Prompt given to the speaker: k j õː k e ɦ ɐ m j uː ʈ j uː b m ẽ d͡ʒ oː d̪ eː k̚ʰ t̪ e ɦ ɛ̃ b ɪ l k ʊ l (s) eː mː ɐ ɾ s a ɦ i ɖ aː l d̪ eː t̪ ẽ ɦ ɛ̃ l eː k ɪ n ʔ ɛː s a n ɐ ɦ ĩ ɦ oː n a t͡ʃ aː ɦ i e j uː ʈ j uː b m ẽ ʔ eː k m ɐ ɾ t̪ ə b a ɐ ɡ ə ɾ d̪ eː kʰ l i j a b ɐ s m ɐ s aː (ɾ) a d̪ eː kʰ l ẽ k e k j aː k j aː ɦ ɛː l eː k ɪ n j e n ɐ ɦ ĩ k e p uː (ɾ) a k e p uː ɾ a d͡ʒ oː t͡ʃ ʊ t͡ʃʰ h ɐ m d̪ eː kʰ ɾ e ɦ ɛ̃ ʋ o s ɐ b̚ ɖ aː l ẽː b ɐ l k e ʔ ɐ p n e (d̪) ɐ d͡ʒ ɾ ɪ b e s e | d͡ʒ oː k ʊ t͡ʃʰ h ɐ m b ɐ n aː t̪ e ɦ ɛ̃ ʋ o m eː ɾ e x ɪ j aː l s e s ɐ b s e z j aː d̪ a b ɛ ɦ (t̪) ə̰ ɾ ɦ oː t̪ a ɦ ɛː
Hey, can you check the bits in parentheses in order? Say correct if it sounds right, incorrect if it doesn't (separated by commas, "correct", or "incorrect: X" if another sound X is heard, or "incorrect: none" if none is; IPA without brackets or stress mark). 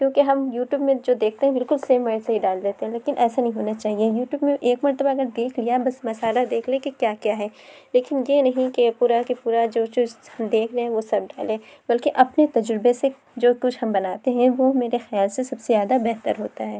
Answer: correct, incorrect: l, correct, incorrect: t̪, correct